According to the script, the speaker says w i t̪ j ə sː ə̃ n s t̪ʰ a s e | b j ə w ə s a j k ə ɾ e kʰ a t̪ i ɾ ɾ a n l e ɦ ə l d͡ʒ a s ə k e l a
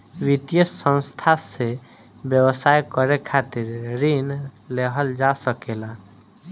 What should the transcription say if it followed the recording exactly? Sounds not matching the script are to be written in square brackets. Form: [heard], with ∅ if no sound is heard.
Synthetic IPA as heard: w i t̪ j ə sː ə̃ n s t̪ʰ a s e | b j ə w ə s a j k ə ɾ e kʰ a t̪ i ɾ ɾ [i] n l e ɦ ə l d͡ʒ a s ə k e l a

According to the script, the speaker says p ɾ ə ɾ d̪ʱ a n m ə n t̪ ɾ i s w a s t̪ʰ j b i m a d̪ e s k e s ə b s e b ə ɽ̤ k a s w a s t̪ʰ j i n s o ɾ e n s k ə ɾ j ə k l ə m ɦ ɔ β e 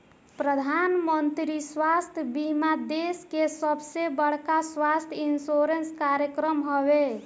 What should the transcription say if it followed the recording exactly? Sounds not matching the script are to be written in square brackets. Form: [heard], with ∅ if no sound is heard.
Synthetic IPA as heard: p ɾ ə [∅] d̪ʱ a n m ə n t̪ ɾ i s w a s t̪ʰ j b i m a d̪ e s k e s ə b s e b ə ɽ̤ k a s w a s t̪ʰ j i n s o ɾ e n s k [a] ɾ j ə k [ɾ] ə m ɦ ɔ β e

